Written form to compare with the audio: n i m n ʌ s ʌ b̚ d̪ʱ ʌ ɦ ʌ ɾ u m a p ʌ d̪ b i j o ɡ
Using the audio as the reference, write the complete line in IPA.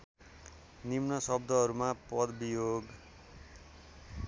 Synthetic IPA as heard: n i m n ʌ s ʌ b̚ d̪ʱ ʌ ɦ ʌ ɾ u m a p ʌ d̪ b i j o ɡ